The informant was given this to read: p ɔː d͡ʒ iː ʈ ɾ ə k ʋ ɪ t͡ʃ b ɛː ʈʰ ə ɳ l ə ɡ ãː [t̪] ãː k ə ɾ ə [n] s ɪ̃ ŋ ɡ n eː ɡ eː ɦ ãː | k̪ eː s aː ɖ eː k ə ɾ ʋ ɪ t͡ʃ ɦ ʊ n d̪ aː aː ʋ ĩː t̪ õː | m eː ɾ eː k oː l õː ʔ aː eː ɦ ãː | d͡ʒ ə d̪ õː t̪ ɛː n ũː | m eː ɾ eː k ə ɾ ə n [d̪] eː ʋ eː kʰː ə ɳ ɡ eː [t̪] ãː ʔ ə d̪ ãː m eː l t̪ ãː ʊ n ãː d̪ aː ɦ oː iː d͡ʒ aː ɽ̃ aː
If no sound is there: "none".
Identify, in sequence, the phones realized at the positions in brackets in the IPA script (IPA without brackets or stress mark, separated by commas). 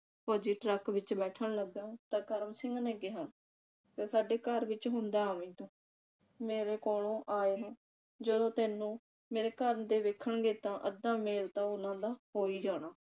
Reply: t̪, m, d̪, t̪